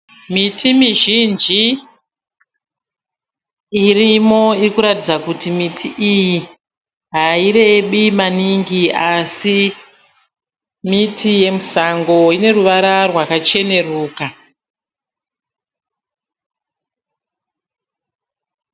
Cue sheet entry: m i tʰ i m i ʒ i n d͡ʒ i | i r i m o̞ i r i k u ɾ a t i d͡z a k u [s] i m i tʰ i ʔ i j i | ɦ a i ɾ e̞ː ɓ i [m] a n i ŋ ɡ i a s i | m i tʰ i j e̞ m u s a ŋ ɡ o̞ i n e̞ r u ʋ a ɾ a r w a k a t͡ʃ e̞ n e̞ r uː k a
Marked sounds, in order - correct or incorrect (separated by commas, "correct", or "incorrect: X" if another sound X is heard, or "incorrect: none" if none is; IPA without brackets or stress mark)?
incorrect: t, correct